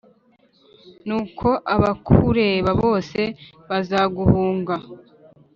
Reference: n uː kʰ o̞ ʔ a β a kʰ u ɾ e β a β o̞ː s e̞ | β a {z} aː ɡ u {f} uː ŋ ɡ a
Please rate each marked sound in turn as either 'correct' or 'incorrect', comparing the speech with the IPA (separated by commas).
correct, incorrect